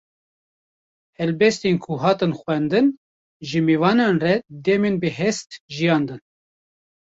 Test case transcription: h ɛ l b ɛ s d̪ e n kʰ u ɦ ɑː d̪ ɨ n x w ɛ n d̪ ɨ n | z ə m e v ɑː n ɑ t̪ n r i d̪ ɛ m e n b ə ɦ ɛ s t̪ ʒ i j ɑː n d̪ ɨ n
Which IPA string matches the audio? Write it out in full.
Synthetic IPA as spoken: h ɛ l b ɛ s t̪ e n kʰ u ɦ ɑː t̪ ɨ n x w ɛ n d̪ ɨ n | ʒ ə m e v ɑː n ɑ n r ɛ d̪ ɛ m e n b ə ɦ ɛ s t̪ ʒ i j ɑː n d̪ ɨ n